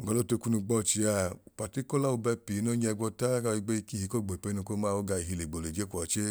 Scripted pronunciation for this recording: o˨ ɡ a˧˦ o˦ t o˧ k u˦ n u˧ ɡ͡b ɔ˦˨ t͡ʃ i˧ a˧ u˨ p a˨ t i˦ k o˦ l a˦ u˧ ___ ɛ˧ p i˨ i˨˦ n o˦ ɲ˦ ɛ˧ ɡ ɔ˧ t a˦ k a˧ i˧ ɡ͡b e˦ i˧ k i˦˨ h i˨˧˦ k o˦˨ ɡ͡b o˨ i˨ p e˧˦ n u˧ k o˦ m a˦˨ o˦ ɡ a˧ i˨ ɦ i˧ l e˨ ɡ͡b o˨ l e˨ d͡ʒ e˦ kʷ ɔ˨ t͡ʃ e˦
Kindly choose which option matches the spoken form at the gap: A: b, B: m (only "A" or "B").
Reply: A